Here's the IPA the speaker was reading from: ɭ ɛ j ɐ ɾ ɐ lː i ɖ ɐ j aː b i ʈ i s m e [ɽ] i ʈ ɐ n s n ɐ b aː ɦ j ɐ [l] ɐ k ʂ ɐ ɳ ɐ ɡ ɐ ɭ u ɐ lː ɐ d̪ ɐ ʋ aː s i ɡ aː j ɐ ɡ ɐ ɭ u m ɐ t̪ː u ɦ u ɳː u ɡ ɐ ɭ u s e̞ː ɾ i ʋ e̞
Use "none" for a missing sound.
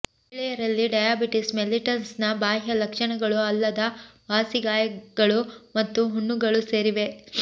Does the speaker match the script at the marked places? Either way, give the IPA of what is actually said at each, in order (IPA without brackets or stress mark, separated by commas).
l, l